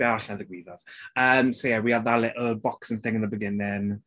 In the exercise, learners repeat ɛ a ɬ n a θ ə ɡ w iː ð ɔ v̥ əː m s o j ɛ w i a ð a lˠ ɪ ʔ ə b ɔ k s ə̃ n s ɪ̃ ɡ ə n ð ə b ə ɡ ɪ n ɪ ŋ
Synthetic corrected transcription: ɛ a ɬ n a ð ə ɡ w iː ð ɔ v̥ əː m s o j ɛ w i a ð a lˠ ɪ ʔ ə b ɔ k s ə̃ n θ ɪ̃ ŋ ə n ð ə b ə ɡ ɪ n ɪ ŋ